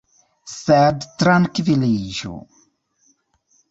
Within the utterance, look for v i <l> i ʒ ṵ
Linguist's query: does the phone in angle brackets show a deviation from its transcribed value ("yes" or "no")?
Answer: no